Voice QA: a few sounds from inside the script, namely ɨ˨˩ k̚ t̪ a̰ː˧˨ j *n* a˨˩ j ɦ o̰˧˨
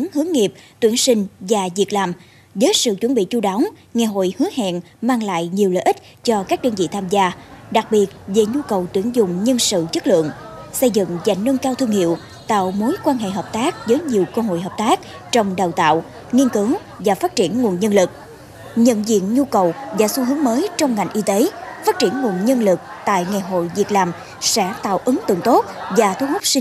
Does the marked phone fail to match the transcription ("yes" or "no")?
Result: yes